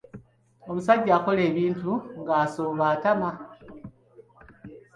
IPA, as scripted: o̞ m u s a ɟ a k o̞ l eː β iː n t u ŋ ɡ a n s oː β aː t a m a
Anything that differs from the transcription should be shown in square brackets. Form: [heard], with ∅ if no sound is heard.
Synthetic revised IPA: o̞ m u s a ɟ a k o̞ l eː β iː n t u ŋ ɡ a [∅] s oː β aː t a m a